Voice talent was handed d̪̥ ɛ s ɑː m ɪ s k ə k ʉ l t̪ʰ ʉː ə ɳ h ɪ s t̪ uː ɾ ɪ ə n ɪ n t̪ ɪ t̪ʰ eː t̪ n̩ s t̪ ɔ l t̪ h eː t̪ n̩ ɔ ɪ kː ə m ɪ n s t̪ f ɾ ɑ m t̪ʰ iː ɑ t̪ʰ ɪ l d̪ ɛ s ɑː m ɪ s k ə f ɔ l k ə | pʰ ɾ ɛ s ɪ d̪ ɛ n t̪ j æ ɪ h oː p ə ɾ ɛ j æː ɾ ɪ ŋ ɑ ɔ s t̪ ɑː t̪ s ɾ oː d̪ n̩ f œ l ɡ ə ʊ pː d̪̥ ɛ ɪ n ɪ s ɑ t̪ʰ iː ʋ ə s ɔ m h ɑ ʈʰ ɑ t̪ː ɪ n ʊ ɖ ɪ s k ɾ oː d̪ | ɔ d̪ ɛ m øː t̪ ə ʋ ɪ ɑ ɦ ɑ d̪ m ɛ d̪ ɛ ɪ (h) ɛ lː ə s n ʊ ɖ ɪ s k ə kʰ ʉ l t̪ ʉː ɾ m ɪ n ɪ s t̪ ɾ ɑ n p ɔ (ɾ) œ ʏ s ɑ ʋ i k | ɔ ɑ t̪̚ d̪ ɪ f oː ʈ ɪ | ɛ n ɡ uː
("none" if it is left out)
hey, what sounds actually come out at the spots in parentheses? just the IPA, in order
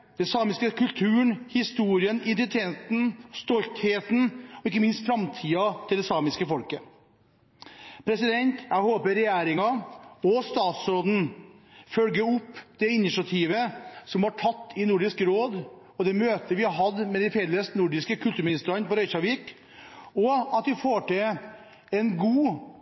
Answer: f, ɾ

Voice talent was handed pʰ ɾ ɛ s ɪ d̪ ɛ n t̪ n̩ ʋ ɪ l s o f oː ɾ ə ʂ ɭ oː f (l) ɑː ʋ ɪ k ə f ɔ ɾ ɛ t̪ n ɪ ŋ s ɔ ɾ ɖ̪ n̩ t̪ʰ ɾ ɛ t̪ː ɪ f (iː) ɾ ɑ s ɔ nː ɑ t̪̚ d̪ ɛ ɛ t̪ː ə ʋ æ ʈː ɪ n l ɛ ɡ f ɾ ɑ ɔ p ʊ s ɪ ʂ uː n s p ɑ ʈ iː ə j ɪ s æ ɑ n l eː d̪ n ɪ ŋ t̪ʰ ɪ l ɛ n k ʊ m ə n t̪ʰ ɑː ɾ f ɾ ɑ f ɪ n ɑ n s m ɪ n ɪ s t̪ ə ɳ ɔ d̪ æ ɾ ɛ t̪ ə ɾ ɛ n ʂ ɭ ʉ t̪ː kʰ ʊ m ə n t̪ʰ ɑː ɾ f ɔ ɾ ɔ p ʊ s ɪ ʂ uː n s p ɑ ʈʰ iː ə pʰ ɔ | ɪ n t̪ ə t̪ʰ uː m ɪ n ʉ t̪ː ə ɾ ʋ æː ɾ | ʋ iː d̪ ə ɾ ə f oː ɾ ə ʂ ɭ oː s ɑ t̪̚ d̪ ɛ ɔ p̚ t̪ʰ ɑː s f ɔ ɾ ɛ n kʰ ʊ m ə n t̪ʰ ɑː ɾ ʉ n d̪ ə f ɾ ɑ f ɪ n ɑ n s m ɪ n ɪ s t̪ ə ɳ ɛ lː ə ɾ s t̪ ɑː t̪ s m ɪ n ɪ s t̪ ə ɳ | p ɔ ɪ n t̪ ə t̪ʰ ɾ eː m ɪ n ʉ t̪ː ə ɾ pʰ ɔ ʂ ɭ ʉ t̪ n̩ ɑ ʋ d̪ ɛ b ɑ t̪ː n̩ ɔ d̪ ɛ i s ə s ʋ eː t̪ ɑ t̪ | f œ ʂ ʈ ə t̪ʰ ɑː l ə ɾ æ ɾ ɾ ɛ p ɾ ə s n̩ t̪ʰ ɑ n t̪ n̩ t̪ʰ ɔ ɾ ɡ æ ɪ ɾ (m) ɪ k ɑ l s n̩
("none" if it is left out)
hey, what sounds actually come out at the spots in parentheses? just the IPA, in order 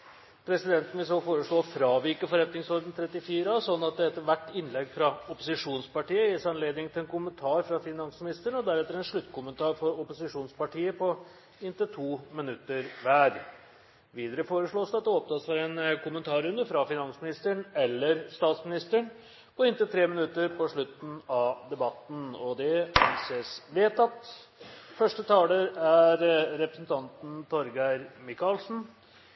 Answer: ɾ, iː, m

